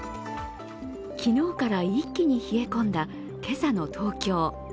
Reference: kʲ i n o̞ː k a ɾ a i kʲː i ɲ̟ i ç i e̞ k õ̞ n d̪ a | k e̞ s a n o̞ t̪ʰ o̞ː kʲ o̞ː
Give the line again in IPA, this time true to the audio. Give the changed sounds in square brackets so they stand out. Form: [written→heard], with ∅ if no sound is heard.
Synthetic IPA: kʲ i n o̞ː k a ɾ a i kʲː i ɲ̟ i ç i e̞ k õ̞ n d̪ a | k e̞ s a n o̞ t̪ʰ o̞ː kʲ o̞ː